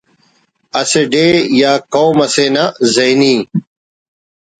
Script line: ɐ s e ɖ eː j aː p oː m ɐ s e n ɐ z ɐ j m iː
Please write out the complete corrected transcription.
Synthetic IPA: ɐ s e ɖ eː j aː k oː m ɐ s e n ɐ z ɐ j n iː